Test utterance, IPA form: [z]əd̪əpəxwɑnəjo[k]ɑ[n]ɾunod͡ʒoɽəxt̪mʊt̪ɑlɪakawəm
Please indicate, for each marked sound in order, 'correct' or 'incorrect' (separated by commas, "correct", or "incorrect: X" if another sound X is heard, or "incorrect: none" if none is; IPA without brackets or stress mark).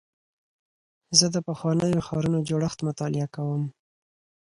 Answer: correct, incorrect: x, incorrect: none